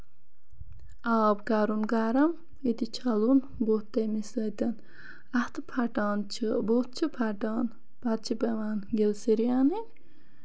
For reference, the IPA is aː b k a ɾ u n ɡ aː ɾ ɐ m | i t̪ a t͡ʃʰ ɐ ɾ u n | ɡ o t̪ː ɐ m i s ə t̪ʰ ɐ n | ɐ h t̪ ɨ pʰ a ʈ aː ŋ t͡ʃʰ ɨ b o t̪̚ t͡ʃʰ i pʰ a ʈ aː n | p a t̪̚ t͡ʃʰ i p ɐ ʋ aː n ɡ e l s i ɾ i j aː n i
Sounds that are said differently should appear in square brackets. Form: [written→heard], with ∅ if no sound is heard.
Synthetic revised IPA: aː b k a ɾ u n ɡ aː ɾ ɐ m | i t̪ [a→i] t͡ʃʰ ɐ [ɾ→l] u n | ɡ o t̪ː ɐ m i s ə [t̪ʰ→t̪] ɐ n | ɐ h t̪ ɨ pʰ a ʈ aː [ŋ→n] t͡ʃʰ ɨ b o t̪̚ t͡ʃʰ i pʰ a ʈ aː n | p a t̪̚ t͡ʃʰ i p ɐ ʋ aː n ɡ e l s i ɾ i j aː n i